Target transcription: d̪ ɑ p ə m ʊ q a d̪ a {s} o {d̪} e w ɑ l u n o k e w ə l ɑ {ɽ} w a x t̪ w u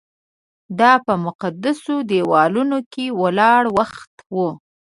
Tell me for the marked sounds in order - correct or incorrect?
correct, correct, correct

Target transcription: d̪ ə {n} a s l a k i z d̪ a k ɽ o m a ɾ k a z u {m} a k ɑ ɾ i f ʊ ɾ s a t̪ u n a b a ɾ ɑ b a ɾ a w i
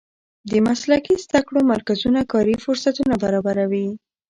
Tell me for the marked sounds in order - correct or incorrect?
incorrect: m, incorrect: n

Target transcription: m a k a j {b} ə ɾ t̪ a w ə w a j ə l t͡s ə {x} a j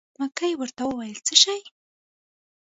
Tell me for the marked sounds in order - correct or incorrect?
incorrect: w, incorrect: ʃ

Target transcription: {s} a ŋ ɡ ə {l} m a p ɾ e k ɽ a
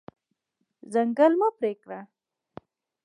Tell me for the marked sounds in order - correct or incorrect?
incorrect: z, correct

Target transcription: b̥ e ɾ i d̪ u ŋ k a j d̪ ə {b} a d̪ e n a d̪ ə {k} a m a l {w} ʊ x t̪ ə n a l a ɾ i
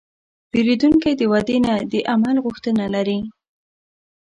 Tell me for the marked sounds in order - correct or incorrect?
incorrect: w, incorrect: ʔ, incorrect: ɣ

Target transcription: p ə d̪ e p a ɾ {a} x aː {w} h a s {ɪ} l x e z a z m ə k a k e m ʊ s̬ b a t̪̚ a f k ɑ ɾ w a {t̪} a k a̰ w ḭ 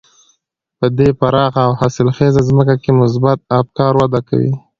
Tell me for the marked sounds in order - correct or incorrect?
incorrect: ɑ, correct, correct, incorrect: d̪

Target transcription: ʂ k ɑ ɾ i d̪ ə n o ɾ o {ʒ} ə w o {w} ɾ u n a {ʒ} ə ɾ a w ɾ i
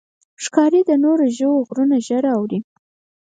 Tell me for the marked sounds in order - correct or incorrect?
correct, incorrect: ɣ, correct

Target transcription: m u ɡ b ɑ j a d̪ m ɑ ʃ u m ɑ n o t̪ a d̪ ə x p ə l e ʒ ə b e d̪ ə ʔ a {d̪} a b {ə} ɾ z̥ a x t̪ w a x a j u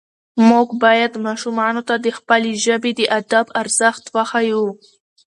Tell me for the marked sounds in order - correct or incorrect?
correct, incorrect: a

